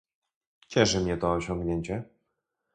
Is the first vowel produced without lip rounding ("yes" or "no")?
yes